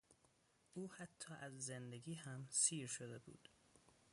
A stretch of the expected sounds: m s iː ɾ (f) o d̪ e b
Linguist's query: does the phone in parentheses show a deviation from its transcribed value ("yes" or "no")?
yes